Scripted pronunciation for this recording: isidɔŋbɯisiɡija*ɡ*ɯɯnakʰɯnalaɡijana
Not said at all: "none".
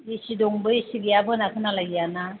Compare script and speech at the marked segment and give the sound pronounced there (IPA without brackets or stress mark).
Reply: b